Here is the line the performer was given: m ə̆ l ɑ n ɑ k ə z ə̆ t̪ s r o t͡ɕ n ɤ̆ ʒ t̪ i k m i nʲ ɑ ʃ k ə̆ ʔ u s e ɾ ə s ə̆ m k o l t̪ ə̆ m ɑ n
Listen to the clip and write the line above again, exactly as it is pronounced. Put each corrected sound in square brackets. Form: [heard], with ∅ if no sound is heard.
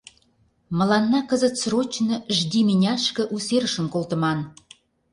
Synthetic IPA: m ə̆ l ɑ [nː] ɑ k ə z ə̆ t̪ s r o t͡ɕ n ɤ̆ ʒ [d̪] i [∅] m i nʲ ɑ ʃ k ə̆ ʔ u s e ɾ ə [ʃ] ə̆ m k o l t̪ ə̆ m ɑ n